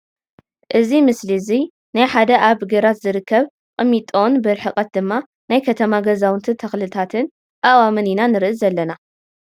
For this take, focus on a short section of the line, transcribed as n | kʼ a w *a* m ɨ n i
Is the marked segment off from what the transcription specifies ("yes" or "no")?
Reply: no